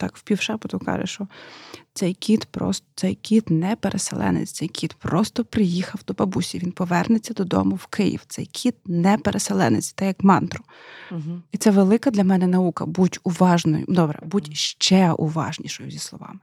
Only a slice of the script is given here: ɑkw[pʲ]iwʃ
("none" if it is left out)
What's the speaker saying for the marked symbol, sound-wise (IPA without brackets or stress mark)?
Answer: pʲ